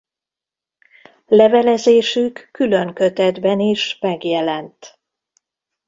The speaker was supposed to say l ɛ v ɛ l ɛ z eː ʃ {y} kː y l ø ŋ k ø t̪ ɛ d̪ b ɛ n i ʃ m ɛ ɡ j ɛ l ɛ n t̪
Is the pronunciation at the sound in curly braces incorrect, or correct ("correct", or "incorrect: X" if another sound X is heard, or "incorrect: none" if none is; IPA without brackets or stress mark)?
correct